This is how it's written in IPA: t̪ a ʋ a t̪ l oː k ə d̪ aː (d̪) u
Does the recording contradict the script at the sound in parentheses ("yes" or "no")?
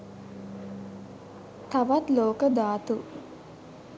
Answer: yes